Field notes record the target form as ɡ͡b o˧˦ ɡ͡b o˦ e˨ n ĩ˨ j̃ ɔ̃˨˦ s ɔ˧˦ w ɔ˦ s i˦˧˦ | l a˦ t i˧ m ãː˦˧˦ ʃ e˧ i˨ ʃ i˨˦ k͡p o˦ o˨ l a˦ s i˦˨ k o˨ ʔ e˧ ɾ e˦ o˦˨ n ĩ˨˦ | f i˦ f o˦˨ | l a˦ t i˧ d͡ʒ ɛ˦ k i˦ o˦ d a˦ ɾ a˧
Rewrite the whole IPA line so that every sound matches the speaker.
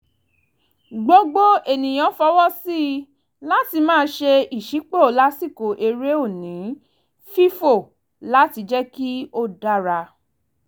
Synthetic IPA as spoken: ɡ͡b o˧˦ ɡ͡b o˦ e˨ n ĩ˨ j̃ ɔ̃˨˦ f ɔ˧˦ w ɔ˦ s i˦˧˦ | l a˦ t i˧ m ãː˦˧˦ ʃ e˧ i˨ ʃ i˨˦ k͡p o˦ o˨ l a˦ s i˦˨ k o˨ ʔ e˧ ɾ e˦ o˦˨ n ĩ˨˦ | f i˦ f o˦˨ | l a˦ t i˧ d͡ʒ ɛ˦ k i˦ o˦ d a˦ ɾ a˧